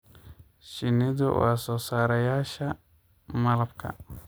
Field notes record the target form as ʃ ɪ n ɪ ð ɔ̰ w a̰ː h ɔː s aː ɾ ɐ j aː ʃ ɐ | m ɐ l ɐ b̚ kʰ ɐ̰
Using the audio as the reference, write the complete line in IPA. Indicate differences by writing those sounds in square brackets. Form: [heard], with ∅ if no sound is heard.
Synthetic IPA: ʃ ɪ n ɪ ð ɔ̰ w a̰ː [s] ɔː s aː ɾ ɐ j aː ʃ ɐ | m ɐ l ɐ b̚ kʰ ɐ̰

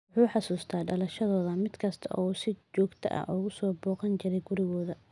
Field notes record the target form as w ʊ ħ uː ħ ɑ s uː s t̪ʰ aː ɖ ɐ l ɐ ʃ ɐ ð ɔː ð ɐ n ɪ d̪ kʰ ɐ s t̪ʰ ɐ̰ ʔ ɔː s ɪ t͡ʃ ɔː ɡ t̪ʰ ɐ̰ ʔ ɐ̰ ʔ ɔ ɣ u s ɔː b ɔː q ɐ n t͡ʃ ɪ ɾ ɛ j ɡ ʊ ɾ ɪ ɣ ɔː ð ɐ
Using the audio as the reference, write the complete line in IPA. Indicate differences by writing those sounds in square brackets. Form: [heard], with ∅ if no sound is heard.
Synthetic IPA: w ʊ ħ uː ħ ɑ s uː s t̪ʰ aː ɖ ɐ l ɐ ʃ ɐ ð ɔː ð ɐ [m] ɪ d̪ kʰ ɐ s t̪ʰ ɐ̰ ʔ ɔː s ɪ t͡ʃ ɔː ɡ t̪ʰ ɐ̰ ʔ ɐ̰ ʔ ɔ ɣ [ʊ] s ɔː b ɔː q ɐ n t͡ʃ ɪ ɾ ɛ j ɡ ʊ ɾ ɪ ɣ ɔː ð ɐ

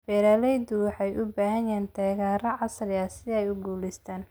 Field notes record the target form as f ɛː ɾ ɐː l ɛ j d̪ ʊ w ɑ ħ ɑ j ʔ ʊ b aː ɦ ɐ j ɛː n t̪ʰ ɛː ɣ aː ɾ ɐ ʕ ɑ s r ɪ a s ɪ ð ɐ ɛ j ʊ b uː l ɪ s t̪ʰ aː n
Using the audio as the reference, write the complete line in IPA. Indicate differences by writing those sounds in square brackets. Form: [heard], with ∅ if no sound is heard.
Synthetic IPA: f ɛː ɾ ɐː l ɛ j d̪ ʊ w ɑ ħ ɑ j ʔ ʊ b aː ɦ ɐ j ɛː n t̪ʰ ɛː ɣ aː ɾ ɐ ʕ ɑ s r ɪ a s ɪ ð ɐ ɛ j ʊ [ɡ] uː l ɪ s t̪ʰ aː n

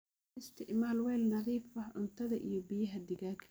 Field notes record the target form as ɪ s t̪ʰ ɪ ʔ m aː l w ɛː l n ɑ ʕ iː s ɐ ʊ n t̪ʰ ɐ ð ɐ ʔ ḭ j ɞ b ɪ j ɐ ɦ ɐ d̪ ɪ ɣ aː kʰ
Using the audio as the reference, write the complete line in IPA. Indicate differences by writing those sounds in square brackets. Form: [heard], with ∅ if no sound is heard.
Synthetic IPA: ɪ s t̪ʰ ɪ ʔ m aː l w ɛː l n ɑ [ð] iː [f] ɐ ʊ n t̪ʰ ɐ ð ɐ ʔ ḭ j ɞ b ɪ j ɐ ɦ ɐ d̪ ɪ ɣ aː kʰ

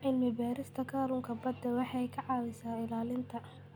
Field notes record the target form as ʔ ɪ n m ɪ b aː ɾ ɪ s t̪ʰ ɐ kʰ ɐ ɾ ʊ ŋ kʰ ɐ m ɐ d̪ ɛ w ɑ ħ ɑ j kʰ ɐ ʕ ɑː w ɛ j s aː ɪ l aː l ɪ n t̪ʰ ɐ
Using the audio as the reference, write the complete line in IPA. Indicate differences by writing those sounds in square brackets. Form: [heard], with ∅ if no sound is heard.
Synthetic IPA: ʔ ɪ n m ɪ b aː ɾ ɪ s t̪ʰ ɐ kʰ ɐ ɾ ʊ ŋ kʰ ɐ [b] ɐ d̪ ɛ w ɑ ħ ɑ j kʰ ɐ ʕ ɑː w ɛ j s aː ɪ l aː l ɪ n t̪ʰ ɐ

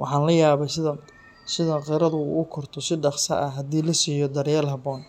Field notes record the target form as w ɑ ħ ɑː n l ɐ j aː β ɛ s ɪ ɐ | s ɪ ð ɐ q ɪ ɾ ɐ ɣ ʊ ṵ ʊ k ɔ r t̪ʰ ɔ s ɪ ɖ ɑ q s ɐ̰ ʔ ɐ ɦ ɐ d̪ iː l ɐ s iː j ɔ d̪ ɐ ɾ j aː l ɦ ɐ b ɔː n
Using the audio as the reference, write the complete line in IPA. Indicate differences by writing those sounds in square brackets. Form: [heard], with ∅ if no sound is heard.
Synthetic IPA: w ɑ ħ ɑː n l ɐ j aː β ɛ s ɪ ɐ | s ɪ ð ɐ q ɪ ɾ ɐ [ð] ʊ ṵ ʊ [kʰ] ɔ r t̪ʰ ɔ s ɪ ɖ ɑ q s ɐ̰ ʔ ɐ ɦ ɐ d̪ iː l ɐ s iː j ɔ d̪ ɐ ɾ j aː l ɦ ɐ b ɔː n

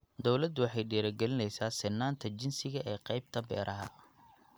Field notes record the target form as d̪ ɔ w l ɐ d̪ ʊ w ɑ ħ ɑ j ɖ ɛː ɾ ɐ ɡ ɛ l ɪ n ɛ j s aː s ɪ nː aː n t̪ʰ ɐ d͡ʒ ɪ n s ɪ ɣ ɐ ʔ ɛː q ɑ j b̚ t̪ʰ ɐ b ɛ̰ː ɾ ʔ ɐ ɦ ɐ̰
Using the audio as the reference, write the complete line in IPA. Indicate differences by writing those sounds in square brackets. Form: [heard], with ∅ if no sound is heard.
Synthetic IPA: d̪ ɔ w l ɐ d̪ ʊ w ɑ ħ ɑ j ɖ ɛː ɾ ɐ ɡ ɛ l ɪ n ɛ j s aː s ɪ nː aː n t̪ʰ ɐ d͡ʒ ɪ n s ɪ ɣ ɐ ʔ ɛː q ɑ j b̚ t̪ʰ ɐ b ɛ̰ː ɾ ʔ ɐ ɦ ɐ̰

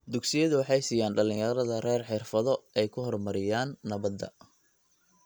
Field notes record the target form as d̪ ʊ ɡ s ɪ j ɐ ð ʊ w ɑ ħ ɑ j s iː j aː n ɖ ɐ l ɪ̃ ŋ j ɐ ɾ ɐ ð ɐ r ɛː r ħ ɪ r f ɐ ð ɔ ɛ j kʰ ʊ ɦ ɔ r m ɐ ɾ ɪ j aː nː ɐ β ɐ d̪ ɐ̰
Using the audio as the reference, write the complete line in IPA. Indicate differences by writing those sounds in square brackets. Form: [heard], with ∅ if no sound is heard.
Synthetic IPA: d̪ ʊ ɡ s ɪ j ɐ ð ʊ w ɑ ħ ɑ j s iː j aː n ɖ ɐ l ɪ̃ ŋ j ɐ ɾ ɐ ð ɐ r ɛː r ħ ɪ r f ɐ ð ɔ ɛ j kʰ ʊ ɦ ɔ r m ɐ ɾ ɪ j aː nː ɐ β ɐ d̪ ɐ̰

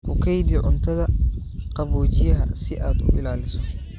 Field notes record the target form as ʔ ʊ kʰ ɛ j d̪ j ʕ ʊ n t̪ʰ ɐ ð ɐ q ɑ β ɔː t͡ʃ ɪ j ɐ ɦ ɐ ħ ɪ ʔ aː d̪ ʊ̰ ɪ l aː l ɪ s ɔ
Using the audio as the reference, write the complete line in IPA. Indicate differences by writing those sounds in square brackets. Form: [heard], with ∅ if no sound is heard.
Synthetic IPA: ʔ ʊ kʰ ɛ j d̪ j ʕ ʊ n t̪ʰ ɐ ð ɐ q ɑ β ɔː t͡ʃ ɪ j ɐ ɦ ɐ [s] ɪ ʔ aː d̪ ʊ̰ ɪ l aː l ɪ s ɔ

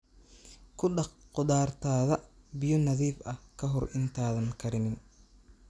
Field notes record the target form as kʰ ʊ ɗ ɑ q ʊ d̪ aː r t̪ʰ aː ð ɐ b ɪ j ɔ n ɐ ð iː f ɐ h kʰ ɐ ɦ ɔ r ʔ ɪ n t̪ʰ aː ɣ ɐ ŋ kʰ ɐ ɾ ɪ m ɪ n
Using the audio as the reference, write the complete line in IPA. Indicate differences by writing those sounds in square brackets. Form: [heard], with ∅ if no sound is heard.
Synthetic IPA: kʰ ʊ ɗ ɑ q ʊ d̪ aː r t̪ʰ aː ð ɐ b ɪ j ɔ n ɐ ð iː f ɐ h kʰ ɐ ɦ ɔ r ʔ ɪ n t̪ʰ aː [ð] ɐ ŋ kʰ ɐ ɾ ɪ [n] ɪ n

